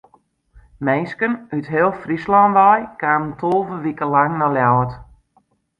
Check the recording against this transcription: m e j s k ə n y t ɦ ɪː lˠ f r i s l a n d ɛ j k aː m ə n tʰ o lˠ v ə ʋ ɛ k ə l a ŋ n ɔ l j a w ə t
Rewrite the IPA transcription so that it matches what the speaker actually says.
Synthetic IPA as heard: m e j s k ə n y t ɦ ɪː lˠ f r i s l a n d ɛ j k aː m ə n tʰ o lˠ v ə ʋ i k ə l a ŋ n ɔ l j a w ə t

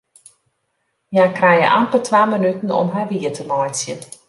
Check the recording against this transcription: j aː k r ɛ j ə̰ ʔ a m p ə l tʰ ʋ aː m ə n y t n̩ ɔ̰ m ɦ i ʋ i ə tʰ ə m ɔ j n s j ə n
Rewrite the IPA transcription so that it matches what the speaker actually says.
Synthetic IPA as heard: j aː k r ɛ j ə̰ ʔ a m p ə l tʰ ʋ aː m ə n y t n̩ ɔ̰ m ɦ a ʋ i ə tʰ ə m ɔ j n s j ə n

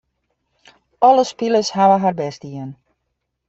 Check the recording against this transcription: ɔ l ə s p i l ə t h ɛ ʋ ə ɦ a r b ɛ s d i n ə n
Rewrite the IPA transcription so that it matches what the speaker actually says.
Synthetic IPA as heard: ɔ l ə s p i l ə s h a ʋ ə ɦ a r b ɛ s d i ə n

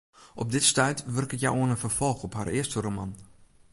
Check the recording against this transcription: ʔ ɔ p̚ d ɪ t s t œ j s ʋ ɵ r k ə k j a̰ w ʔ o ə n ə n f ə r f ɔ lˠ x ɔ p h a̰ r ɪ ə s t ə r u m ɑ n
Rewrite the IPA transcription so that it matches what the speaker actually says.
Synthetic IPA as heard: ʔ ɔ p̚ d ɪ t s t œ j t ʋ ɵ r k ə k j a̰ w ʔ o ə n ə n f ə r f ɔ lˠ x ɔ p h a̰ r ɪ ə s t ə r o m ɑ n

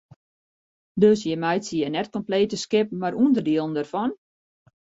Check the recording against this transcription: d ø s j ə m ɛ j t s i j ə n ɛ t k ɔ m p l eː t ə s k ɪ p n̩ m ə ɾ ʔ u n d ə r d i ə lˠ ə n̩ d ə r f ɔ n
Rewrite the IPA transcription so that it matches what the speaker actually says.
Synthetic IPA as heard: d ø s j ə m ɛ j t s i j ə n ɛ t k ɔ m p l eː t ə s k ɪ p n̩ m a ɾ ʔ u n d ə r d i ə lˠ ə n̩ d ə r f ɔ n

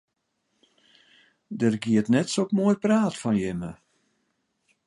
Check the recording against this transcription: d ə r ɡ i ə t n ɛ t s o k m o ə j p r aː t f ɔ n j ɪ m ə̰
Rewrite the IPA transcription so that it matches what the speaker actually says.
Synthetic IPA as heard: d ə r ɡ i ə t n ɛ t s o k m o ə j p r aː t f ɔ n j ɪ m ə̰

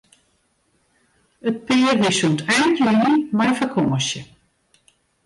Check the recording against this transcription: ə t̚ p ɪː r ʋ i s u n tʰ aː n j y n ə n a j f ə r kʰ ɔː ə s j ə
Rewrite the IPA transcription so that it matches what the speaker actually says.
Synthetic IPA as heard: ə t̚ p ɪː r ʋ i s u n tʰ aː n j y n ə m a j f ə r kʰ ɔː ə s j ə

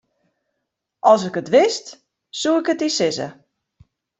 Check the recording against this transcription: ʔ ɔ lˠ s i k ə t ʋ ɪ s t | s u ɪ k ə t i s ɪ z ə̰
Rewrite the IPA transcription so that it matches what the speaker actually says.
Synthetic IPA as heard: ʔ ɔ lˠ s ɪ k ə t ʋ ɪ s t | s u ɪ k ə t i s ɪ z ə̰

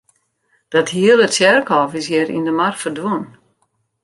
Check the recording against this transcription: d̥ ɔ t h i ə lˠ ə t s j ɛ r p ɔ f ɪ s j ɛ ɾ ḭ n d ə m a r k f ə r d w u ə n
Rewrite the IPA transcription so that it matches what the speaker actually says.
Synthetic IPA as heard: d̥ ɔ t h i ə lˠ ə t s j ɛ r k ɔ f ɪ s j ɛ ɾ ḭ n d ə m a r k f ə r d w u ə n

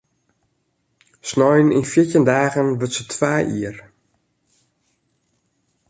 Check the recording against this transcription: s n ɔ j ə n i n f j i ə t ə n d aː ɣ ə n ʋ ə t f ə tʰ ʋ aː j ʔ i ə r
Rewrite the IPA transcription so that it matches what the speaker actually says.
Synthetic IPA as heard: s n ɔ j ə n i n f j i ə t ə n d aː ɣ ə n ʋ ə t s ə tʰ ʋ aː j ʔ i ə r

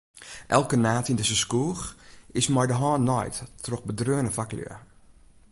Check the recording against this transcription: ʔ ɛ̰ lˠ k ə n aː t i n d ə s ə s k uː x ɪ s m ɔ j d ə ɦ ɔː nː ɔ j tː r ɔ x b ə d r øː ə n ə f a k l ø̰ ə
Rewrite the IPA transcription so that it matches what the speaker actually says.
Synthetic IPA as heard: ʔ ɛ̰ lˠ k ə n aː t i n d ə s ə s k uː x ɪ s m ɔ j d ə ɦ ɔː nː ɔ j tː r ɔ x b ə d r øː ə n ə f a k l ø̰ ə

